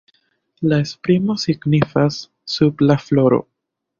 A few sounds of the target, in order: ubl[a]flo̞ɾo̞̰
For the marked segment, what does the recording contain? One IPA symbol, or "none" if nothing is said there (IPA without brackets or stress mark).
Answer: a